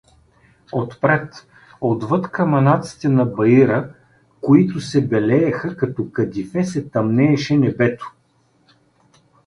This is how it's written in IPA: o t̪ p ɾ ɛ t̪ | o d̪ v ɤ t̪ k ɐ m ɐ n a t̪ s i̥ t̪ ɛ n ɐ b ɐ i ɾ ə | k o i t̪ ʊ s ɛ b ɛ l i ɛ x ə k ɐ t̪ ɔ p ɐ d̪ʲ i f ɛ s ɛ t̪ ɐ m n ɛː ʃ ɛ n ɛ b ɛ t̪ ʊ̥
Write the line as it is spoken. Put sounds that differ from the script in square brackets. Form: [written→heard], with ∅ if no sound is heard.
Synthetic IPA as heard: o t̪ p ɾ ɛ t̪ | o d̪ v ɤ t̪ k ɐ m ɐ n a t̪ s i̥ t̪ ɛ n ɐ b ɐ i ɾ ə | k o i t̪ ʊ s ɛ b ɛ l [i→ɛ] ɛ x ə k ɐ t̪ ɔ [p→k] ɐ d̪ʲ i f ɛ s ɛ t̪ ɐ m n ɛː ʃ ɛ n ɛ b ɛ t̪ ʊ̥